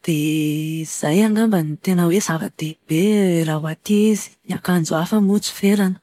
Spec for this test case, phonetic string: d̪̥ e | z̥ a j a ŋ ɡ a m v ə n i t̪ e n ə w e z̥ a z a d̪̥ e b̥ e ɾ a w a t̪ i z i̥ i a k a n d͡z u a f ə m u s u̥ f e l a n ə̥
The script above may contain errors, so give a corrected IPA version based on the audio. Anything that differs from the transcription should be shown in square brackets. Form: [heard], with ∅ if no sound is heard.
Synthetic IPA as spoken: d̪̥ e | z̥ a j a ŋ ɡ a m [b] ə n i t̪ e n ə w e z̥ a [v] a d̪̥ e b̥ e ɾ a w a t̪ i z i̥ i a k a n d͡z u a f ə m u [t͡s] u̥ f e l a n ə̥